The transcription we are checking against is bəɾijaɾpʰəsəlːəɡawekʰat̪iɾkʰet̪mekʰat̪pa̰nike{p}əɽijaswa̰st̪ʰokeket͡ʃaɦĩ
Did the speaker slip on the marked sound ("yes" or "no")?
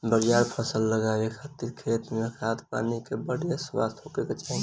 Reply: yes